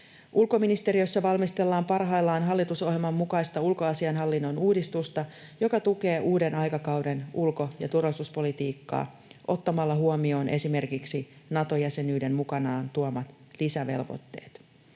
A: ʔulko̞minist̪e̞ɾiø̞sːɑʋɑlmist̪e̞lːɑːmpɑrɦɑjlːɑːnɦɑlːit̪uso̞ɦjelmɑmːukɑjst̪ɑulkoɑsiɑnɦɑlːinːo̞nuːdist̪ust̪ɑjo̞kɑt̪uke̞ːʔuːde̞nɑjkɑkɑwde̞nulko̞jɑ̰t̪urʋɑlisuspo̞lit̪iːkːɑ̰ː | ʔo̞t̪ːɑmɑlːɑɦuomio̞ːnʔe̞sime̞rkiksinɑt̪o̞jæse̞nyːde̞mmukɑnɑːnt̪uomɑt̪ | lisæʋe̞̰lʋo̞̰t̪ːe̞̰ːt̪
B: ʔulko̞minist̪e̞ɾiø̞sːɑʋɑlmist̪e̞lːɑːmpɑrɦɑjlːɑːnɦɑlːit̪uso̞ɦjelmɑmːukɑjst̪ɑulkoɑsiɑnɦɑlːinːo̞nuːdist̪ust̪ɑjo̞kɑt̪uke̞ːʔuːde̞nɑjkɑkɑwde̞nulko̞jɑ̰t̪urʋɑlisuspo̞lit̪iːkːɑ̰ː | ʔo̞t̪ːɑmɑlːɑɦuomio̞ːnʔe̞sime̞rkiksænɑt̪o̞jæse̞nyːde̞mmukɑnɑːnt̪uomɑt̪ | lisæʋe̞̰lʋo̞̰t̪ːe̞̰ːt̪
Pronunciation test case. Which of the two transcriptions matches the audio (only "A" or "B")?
A